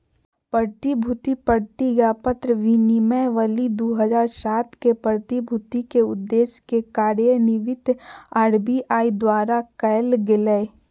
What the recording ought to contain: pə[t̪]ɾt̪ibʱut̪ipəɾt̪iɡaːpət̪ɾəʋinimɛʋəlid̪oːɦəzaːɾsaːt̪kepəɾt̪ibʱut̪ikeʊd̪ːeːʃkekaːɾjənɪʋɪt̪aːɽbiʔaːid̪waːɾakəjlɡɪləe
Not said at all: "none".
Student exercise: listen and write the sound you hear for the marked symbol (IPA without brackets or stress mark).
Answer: none